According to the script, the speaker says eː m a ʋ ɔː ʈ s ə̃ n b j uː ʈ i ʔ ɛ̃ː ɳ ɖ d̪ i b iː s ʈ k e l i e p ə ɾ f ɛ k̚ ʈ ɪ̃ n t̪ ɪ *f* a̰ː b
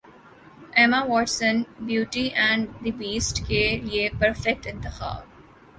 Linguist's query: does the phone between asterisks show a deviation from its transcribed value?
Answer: yes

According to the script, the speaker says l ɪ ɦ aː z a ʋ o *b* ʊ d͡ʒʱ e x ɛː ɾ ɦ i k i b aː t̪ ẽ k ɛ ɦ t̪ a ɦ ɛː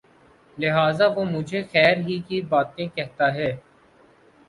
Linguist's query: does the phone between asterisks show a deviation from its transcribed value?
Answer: yes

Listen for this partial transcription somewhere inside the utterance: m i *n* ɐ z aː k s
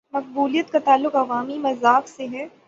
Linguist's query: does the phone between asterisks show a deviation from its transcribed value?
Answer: yes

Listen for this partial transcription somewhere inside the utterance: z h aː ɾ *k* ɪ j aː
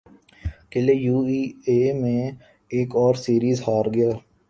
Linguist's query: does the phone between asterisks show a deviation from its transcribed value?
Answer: yes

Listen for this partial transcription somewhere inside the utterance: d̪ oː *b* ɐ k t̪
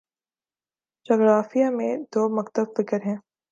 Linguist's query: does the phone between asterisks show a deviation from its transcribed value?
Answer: yes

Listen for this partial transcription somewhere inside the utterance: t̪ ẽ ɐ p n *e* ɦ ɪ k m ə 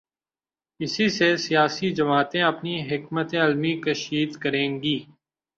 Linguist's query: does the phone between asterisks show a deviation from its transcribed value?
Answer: yes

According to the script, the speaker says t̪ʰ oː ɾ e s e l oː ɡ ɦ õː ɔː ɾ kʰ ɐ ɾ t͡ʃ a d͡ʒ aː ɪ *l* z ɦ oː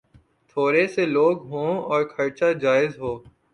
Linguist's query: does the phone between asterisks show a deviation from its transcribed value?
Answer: yes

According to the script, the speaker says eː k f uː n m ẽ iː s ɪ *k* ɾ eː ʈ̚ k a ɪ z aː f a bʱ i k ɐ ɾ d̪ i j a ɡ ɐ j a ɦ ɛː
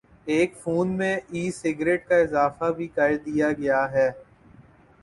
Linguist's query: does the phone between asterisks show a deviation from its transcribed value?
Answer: yes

